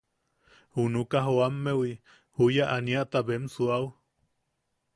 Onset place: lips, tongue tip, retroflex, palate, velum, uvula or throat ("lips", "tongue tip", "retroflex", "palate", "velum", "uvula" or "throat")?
throat